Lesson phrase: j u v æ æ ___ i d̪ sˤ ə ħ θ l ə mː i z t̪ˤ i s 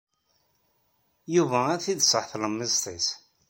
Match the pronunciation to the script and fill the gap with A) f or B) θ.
B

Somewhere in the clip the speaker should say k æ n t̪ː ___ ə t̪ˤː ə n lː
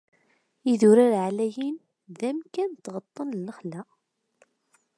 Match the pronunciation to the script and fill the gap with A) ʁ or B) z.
A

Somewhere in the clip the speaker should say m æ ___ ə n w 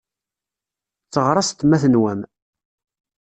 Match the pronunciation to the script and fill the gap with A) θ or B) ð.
A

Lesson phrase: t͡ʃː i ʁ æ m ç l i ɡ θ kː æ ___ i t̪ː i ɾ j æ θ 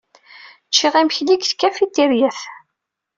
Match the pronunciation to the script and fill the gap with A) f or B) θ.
A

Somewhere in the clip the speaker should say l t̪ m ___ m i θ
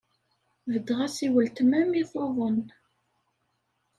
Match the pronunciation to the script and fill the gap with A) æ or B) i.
A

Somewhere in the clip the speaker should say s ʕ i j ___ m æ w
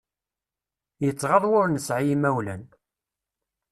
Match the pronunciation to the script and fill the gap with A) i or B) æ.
A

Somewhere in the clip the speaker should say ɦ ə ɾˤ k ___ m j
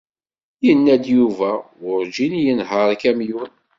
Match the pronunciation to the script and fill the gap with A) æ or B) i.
A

